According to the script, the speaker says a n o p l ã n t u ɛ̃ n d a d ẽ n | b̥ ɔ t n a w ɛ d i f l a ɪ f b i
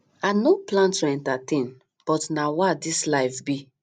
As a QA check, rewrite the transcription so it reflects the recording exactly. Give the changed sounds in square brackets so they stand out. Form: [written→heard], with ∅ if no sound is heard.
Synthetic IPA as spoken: a n o p l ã n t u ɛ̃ n [d→t] a [d→t] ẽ n | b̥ ɔ t n a w [ɛ→a] d i [f→s] l a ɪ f b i